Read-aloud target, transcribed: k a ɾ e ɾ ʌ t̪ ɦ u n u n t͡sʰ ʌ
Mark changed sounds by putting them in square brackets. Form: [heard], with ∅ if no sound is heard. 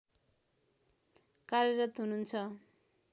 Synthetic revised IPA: k a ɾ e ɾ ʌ t̪ ɦ u n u n t͡sʰ ʌ

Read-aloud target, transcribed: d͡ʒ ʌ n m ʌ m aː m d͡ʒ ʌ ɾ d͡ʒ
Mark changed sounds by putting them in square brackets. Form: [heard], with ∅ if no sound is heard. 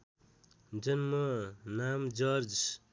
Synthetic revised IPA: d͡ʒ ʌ n m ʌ [n] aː m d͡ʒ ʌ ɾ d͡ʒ

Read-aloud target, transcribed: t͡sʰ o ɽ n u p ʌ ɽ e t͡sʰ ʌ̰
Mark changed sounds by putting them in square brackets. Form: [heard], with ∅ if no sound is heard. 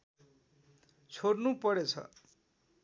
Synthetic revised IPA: t͡sʰ o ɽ n u p ʌ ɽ e t͡sʰ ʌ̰

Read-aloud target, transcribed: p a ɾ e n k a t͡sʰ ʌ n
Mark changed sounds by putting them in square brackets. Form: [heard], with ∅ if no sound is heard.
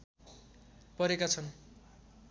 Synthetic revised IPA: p [ʌ] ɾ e [∅] k a t͡sʰ ʌ n

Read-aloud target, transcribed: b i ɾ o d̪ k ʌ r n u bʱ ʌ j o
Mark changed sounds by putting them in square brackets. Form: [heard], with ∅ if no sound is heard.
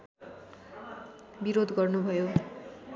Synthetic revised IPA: b i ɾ o d̪ [ɡ] ʌ r n u bʱ ʌ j o

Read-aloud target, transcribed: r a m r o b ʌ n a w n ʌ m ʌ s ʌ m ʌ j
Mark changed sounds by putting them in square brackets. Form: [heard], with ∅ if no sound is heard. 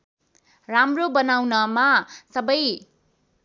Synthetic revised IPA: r a m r o b ʌ n a w n ʌ m [a] s ʌ [b] ʌ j

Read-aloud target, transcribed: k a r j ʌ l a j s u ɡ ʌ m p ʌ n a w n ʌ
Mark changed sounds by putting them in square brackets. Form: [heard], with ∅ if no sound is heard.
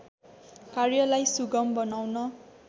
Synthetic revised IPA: k a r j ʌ l a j s u ɡ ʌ m [b] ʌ n a w n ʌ

